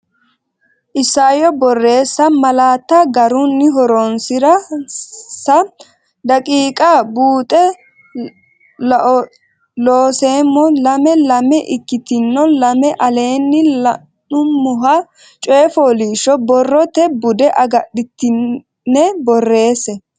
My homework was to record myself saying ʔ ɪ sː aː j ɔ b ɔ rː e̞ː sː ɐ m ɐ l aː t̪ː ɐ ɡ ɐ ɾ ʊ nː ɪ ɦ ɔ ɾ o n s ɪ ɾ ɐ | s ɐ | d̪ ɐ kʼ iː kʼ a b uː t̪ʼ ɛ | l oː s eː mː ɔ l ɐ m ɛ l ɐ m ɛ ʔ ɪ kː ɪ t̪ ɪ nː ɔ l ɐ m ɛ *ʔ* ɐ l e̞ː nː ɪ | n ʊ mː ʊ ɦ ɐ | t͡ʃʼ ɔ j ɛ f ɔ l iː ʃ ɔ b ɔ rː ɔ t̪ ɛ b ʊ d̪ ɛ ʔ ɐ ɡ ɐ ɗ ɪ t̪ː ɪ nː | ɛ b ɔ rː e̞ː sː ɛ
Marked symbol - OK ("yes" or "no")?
yes